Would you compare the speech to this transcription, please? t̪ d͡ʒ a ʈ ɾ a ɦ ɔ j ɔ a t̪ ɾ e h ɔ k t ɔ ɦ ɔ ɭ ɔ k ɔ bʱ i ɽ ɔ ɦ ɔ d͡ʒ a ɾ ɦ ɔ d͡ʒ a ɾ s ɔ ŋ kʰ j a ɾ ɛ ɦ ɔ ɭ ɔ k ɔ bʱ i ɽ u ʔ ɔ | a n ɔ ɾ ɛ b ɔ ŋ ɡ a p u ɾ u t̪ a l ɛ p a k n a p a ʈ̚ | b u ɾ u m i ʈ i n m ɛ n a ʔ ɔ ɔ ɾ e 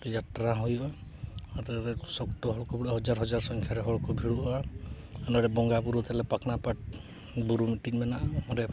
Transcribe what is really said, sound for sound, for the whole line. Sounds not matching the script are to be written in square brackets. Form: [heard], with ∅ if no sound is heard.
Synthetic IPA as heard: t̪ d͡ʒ a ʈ ɾ a ɦ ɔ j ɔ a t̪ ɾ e [s] ɔ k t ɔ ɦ ɔ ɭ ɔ k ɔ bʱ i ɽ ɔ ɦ ɔ d͡ʒ a ɾ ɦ ɔ d͡ʒ a ɾ s ɔ ŋ kʰ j a ɾ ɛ ɦ ɔ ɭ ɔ k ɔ bʱ i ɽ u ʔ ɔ | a n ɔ ɾ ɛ b ɔ ŋ ɡ a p u ɾ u t̪ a l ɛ p a k n a p a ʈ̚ | b u ɾ u m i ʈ i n m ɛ n a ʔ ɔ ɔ ɾ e